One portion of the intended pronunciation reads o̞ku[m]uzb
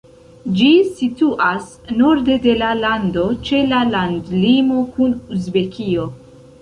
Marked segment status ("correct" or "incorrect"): incorrect